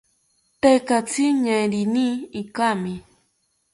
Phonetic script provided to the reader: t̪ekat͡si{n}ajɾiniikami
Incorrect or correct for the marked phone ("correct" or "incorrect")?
incorrect